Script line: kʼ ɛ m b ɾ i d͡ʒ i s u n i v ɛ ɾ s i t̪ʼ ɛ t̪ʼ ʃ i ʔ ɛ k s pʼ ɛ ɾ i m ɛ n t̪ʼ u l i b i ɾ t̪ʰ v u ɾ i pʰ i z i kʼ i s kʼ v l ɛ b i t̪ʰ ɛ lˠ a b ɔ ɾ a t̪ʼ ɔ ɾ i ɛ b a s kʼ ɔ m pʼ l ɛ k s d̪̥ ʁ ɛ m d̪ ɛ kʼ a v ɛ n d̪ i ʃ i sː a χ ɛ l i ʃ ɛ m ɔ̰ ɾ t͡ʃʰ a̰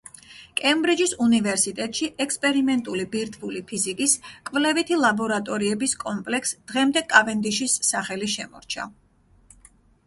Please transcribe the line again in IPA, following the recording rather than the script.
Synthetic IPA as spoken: kʼ ɛ m b ɾ i d͡ʒ i s u n i v ɛ ɾ s i t̪ʼ ɛ t̪ʼ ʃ i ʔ ɛ k s pʼ ɛ ɾ i m ɛ n t̪ʼ u l i b i ɾ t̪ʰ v u l i pʰ i z i kʼ i s kʼ v l ɛ v i t̪ʰ i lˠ a b ɔ ɾ a t̪ʼ ɔ ɾ i ɛ b i s kʼ ɔ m pʼ l ɛ k s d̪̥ ʁ ɛ m d̪ ɛ kʼ a v ɛ n d̪ i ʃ i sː a χ ɛ l i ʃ ɛ m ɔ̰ ɾ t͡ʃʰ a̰